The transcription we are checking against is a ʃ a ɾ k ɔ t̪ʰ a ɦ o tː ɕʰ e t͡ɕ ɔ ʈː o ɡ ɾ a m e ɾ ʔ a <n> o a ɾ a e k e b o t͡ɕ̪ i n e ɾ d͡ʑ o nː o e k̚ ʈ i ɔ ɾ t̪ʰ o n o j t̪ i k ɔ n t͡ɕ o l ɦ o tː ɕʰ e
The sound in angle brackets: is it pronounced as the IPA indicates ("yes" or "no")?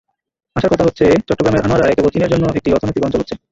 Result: yes